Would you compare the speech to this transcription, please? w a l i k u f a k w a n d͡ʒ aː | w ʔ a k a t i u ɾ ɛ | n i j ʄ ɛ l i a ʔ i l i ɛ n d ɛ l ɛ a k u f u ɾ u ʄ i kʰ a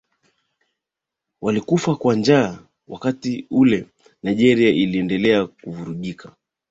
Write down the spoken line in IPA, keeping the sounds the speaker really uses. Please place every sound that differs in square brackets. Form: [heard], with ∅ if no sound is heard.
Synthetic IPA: w a l i k u f a k w a n d͡ʒ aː | w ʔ a k a t i u [l] ɛ | n [a] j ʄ ɛ [ɾ] i a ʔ i l i ɛ n d ɛ l ɛ a k u [v] u ɾ u ʄ i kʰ a